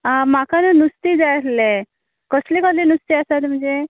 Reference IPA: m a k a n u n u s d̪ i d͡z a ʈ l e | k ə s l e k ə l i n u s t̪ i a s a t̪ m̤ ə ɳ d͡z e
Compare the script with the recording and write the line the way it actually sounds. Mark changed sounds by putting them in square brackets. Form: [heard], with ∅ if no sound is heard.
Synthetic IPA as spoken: m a k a n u n u s [t̪] i d͡z a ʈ l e | k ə s l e k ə l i n u s t̪ i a s a t̪ m̤ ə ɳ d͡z e